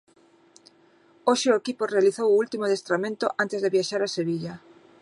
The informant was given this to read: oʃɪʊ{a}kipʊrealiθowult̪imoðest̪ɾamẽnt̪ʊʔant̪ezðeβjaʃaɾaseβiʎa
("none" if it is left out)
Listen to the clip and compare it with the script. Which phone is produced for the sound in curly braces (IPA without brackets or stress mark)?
e